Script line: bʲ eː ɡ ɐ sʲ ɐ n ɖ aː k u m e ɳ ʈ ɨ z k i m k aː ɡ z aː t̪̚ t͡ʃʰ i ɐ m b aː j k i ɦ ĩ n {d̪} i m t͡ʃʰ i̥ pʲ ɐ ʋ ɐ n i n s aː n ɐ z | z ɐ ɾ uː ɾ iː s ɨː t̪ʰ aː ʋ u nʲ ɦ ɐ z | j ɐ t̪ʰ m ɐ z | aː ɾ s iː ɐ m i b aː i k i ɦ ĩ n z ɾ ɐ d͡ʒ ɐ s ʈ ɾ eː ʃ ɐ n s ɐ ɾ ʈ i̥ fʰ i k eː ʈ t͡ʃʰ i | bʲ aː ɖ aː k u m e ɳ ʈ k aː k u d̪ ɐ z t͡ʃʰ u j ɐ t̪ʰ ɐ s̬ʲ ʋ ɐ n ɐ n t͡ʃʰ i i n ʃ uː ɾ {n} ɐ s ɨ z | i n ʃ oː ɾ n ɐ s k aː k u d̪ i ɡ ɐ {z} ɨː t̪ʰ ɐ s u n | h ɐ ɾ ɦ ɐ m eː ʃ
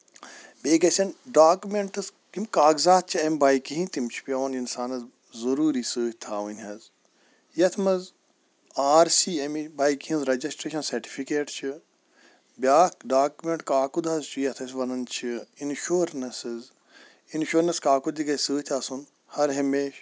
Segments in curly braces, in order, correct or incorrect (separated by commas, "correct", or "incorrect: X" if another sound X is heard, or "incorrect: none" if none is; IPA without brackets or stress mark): incorrect: t̪, correct, incorrect: s